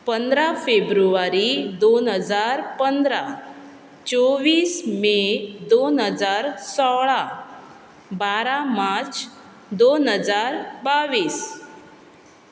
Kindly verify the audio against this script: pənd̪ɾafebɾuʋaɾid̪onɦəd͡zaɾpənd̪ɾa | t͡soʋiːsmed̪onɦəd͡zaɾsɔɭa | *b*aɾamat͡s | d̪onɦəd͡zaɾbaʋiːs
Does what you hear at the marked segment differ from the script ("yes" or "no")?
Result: no